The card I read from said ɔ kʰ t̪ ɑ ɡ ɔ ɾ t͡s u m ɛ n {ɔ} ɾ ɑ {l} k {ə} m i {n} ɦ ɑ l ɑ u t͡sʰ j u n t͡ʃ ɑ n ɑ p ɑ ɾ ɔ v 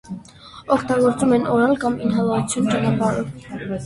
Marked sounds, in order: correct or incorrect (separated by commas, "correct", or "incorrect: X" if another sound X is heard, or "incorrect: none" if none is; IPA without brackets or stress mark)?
correct, correct, incorrect: ɑ, correct